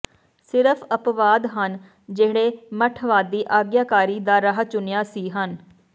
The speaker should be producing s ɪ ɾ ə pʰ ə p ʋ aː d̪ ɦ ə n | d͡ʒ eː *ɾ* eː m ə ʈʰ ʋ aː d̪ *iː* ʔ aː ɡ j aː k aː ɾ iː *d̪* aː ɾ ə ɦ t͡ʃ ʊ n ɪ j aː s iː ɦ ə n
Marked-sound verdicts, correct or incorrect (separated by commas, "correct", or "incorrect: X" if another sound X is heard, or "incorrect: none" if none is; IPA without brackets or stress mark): incorrect: ɽ, correct, correct